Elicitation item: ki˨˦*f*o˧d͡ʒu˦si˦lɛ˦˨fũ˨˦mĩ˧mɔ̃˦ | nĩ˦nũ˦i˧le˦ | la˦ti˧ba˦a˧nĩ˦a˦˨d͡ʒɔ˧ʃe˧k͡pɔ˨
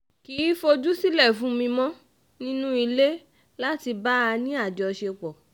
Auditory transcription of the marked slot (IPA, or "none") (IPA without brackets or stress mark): f